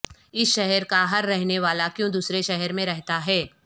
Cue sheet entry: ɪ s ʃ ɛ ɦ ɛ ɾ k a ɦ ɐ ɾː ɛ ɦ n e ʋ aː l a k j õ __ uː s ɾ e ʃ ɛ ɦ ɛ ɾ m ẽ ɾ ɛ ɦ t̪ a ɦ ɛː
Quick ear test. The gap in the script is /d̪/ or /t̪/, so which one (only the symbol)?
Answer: d̪